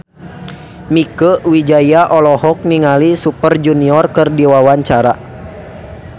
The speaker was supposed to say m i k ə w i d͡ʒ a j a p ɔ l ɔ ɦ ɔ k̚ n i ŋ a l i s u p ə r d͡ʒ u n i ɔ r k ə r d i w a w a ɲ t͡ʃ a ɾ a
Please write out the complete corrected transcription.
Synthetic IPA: m i k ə w i d͡ʒ a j a ʔ ɔ l ɔ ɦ ɔ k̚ n i ŋ a l i s u p ə r d͡ʒ u n i ɔ r k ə r d i w a w a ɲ t͡ʃ a ɾ a